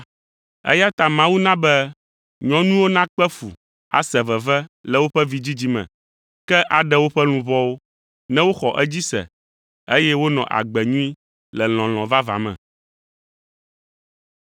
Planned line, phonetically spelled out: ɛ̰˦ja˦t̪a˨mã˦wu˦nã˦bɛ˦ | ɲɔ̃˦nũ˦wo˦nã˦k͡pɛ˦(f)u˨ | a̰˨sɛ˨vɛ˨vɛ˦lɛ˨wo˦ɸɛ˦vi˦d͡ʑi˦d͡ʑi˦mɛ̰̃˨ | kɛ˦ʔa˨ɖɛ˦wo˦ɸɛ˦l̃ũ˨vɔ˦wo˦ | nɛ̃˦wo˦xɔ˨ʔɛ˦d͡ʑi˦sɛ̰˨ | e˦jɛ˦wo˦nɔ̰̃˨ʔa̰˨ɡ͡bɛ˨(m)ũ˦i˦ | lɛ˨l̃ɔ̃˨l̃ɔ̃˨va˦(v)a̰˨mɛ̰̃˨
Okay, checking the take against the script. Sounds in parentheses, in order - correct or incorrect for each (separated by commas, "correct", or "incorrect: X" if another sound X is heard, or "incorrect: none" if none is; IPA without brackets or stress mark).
correct, incorrect: ɲ, correct